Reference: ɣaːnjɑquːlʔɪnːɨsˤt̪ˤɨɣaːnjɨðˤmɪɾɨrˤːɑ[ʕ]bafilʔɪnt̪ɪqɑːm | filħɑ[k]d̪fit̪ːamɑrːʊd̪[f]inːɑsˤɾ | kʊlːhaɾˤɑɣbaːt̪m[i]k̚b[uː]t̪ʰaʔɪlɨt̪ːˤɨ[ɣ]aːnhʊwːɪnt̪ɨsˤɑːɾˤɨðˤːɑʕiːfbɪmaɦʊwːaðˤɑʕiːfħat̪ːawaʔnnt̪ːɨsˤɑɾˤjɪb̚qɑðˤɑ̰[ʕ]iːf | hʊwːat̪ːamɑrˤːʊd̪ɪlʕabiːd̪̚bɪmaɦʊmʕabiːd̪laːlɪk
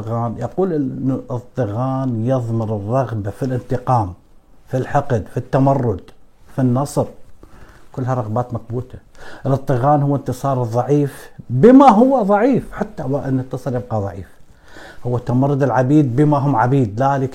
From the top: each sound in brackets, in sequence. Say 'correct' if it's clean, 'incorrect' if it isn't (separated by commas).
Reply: incorrect, incorrect, correct, incorrect, correct, correct, correct